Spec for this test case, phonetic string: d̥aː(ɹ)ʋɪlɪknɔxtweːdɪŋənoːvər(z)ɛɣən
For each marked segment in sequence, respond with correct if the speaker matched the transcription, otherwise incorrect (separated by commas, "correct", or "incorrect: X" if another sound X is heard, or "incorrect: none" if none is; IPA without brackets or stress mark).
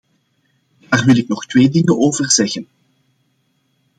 incorrect: r, correct